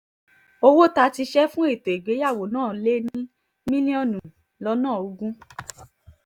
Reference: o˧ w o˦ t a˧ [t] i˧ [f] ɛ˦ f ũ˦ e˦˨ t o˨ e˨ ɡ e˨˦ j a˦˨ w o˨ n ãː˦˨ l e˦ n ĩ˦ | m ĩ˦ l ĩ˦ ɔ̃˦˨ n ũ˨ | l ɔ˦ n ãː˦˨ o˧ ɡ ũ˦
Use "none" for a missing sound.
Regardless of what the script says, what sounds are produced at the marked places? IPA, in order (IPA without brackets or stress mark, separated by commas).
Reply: t, ʃ